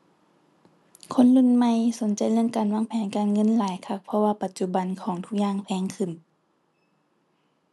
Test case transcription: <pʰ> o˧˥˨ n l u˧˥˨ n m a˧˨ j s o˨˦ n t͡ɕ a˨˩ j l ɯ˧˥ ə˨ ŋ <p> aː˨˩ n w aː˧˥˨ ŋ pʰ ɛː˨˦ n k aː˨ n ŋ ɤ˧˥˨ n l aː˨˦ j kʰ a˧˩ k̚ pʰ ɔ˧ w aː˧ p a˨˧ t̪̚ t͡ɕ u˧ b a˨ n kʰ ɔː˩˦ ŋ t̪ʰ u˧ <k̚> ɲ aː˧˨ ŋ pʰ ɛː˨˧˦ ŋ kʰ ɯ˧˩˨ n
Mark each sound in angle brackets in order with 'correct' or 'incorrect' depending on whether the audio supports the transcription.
incorrect: kʰ, incorrect: k, correct

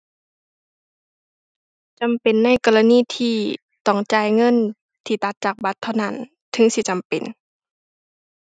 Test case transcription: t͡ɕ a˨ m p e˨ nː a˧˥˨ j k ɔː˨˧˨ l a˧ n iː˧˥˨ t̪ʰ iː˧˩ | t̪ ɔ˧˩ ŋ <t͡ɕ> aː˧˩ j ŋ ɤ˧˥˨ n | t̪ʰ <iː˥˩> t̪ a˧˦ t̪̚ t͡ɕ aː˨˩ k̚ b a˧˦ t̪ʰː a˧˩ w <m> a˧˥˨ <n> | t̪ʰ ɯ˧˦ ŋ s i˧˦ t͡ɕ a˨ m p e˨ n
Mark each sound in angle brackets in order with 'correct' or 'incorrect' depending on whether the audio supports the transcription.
correct, incorrect: iː˧˩, incorrect: n, correct

